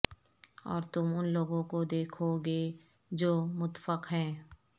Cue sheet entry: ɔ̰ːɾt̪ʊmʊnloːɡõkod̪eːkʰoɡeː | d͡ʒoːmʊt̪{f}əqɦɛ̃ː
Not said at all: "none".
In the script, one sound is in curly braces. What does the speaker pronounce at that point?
f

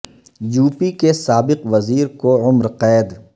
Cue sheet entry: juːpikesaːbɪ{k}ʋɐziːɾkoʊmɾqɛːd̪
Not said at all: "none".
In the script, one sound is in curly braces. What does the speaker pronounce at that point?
q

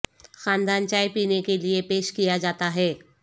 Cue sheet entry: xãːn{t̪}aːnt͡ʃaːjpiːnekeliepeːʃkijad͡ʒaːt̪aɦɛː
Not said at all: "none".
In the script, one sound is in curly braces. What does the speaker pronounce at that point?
d̪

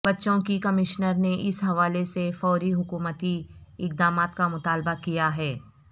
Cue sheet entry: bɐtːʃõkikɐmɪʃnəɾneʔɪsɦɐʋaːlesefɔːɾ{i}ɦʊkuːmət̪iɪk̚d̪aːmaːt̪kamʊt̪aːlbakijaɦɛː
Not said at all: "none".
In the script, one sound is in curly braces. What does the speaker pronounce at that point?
i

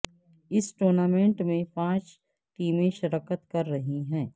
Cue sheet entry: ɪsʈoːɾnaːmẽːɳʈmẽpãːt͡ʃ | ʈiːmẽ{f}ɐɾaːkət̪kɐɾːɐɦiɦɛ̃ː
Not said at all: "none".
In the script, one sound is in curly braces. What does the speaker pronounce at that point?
ʃ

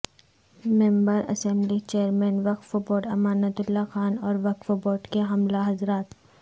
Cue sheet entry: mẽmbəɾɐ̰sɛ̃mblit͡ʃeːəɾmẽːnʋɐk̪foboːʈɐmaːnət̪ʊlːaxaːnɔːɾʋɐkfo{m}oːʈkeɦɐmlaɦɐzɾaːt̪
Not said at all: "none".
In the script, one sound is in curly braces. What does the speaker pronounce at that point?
b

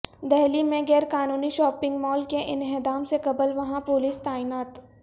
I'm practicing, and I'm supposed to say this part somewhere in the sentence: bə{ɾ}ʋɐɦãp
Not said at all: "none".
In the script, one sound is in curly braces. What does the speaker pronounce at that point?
l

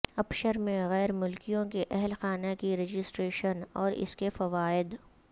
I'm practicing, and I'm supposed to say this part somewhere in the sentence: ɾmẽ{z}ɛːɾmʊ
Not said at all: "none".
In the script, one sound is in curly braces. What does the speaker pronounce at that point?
ɣ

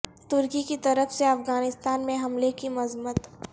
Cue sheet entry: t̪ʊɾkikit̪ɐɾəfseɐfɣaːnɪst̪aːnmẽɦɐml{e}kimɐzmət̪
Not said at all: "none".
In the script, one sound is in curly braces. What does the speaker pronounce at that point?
e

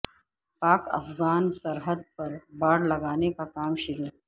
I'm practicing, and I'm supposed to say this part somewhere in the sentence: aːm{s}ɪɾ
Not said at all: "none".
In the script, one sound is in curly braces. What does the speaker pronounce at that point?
ʃ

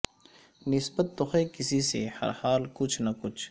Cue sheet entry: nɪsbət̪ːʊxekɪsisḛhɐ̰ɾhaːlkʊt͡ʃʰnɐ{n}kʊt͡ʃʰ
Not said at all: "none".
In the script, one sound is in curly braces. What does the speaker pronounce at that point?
none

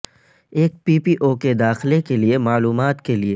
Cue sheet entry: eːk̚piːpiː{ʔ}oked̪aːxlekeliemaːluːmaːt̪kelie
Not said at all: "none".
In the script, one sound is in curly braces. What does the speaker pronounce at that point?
ʔ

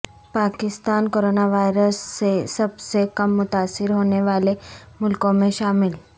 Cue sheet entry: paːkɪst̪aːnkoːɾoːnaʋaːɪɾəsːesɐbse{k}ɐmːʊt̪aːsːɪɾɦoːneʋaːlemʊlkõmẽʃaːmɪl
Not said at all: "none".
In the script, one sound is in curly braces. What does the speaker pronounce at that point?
k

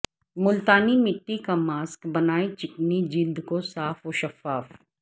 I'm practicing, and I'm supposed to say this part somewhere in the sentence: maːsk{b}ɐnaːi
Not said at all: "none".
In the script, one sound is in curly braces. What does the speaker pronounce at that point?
b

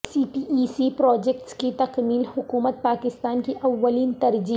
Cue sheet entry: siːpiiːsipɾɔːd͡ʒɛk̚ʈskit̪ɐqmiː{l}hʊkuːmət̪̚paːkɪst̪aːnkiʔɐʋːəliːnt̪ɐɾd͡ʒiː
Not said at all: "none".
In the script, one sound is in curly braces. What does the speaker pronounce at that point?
l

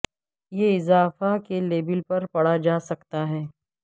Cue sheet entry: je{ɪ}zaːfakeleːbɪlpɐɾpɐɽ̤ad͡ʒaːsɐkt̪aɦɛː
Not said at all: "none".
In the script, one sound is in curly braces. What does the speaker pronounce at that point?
ɪ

